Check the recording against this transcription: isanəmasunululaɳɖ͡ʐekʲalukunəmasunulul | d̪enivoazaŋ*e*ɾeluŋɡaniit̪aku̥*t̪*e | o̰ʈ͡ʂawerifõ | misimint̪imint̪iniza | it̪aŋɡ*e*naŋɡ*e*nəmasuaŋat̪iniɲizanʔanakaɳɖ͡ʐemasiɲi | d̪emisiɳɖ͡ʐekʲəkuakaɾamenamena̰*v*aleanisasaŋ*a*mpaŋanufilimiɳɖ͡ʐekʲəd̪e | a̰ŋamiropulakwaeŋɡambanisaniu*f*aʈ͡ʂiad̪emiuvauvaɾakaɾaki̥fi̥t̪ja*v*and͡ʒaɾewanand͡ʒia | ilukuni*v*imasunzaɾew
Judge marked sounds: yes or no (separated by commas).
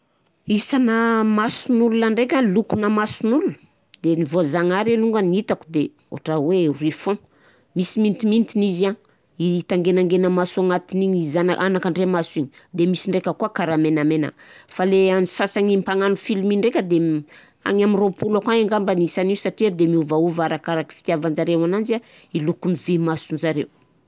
no, no, yes, yes, no, no, no, yes, yes